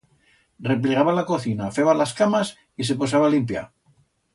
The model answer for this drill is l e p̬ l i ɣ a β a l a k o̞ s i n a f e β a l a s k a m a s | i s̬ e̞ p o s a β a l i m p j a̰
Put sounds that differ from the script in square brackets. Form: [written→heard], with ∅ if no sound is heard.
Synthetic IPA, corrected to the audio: [l→r] e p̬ l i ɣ a β a l a k o̞ [s→θ] i n a f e β a l a s k a m a s | i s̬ e̞ p o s a β a l i m p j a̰